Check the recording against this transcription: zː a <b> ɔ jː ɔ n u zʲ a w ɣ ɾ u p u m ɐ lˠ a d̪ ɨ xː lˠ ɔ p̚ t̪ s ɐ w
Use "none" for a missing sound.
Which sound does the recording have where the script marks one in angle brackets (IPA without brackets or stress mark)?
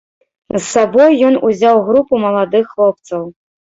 b